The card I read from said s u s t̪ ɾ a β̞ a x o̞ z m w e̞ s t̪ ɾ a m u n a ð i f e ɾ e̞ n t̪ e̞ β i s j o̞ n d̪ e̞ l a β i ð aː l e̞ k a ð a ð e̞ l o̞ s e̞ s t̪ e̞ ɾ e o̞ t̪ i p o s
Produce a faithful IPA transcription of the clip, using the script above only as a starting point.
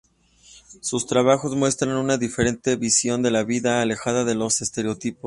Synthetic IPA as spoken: s u s t̪ ɾ a β̞ a x o̞ z m w e̞ s t̪ ɾ a n u n a ð i f e ɾ e̞ n t̪ e̞ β i s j o̞ n d̪ e̞ l a β i ð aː l e̞ x a ð a ð e̞ l o̞ s e̞ s t̪ e̞ ɾ e o̞ t̪ i p o s